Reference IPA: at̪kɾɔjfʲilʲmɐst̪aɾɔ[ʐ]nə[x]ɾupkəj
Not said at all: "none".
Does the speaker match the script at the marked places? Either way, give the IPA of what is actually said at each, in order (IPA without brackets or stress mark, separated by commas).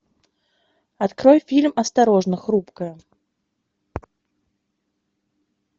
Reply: ʐ, x